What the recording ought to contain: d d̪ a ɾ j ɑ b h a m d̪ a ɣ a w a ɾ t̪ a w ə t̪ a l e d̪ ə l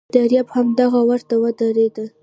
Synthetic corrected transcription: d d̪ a ɾ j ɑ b h a m d̪ a ɣ a w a ɾ t̪ a w ə d̪ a ɾ e d̪ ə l